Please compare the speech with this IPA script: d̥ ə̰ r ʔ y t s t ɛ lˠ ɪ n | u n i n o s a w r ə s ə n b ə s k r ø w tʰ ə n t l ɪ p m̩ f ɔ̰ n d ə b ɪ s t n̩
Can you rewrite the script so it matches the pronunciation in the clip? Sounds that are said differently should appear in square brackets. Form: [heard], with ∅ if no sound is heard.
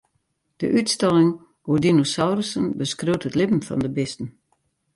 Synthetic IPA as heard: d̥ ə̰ [∅] ʔ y t s t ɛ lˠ ɪ [ŋ] | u [d] i n o s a w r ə s ə n b ə s k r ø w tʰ ə [∅] t l ɪ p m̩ f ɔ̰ n d ə b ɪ s t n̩